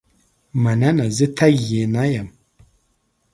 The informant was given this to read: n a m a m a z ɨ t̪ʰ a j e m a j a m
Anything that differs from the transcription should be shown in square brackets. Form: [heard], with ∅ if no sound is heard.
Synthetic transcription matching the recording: [m] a [n] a [n] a z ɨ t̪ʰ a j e [n] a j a m